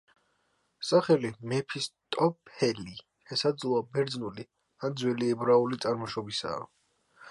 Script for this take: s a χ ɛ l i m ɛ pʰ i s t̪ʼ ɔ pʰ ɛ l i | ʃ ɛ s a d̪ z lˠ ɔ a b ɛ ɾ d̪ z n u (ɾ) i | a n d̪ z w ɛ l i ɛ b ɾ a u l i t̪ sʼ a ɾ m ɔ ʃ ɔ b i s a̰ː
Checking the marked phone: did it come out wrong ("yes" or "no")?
yes